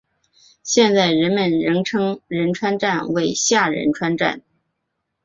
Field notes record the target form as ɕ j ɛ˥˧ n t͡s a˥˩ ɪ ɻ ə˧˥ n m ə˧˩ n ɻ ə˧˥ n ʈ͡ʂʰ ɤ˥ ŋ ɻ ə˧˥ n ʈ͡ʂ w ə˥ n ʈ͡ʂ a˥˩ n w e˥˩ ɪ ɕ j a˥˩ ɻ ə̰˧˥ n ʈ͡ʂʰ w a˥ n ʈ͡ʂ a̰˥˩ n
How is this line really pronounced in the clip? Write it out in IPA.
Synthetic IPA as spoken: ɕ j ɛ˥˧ n t͡s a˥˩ ɪ ɻ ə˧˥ n m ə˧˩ n ɻ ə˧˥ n ʈ͡ʂʰ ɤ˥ ŋ ɻ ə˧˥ n ʈ͡ʂʰ w a˥ n ʈ͡ʂ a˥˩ n w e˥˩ ɪ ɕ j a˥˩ ɻ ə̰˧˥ n ʈ͡ʂʰ w a˥ n ʈ͡ʂ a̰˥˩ n

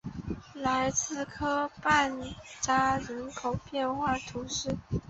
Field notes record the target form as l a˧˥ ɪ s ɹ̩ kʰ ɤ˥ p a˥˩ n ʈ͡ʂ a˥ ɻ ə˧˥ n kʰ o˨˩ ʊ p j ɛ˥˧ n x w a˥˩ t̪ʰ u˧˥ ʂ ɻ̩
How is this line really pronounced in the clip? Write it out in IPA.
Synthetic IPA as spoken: l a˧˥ ɪ t͡s ɹ̩ kʰ ɤ˥ p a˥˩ n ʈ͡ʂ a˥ ɻ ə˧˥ n kʰ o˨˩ ʊ p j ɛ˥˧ n x w a˥˩ t̪ʰ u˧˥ ʂ ɻ̩

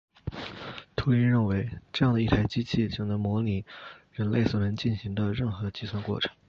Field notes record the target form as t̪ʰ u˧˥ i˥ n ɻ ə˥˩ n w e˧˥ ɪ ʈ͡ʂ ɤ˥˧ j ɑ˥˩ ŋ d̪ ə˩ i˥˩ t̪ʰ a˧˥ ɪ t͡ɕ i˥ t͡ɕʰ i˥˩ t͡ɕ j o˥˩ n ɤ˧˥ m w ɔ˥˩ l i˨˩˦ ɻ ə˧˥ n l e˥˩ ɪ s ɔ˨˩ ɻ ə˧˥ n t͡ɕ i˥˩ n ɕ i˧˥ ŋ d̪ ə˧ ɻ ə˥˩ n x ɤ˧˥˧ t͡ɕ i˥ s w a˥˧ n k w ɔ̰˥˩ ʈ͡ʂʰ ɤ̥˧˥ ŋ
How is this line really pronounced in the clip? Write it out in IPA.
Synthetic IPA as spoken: t̪ʰ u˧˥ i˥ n ɻ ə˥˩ n w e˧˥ ɪ ʈ͡ʂ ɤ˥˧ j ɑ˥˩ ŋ d̪ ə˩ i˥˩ t̪ʰ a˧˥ ɪ t͡ɕ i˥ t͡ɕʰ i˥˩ t͡ɕ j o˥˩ n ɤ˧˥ m w ɔ˧˥ l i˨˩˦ ɻ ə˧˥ n l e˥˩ ɪ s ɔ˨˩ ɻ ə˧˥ n t͡ɕ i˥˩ n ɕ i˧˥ ŋ d̪ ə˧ ɻ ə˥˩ n x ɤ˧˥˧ t͡ɕ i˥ s w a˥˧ n k w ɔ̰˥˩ ʈ͡ʂʰ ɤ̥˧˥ ŋ

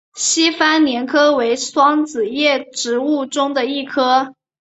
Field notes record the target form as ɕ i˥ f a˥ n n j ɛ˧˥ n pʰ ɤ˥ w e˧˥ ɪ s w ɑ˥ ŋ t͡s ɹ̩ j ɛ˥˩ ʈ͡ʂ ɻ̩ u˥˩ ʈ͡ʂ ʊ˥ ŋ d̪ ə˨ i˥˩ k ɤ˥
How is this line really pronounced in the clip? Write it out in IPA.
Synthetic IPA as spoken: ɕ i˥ f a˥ n n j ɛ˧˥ n kʰ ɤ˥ w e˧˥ ɪ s w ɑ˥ ŋ t͡s ɹ̩ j ɛ˥˩ ʈ͡ʂ ɻ̩ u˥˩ ʈ͡ʂ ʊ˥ ŋ d̪ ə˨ i˥˩ kʰ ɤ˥

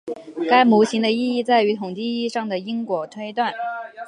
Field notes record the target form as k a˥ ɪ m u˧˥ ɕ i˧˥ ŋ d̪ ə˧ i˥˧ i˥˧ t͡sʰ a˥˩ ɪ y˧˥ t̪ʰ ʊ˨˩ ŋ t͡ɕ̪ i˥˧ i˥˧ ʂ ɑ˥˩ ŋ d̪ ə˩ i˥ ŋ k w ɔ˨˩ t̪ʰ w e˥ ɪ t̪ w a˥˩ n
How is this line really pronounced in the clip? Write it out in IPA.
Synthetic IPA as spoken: k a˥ ɪ m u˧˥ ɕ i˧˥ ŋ d̪ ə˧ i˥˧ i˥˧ t͡s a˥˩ ɪ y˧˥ t̪ʰ ʊ˨˩ ŋ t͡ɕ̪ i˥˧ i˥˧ ʂ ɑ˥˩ ŋ d̪ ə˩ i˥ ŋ k w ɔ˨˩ t̪ʰ w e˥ ɪ t̪ w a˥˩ n

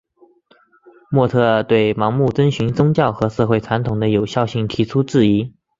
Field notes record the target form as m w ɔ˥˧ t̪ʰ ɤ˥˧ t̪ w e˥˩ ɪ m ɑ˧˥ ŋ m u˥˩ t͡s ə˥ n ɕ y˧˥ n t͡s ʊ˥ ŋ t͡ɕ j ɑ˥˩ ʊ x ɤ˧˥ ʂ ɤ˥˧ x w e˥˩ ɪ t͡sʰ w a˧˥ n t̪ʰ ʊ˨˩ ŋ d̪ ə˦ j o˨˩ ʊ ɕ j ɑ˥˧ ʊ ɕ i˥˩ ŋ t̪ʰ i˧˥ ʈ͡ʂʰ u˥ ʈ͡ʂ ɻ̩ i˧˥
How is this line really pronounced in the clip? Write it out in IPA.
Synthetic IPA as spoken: m w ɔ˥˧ t̪ʰ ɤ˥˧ t̪ w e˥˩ ɪ m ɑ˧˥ ŋ m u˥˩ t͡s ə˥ n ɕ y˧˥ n t͡s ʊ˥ ŋ t͡ɕ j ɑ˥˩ ʊ x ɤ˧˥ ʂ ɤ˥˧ x w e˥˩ ɪ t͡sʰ w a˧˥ n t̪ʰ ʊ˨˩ ŋ d̪ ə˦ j o˨˩ ʊ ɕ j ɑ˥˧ ʊ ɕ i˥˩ ŋ t̪ʰ i˧˥ ʈ͡ʂʰ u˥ ʈ͡ʂ ɻ̩ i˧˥

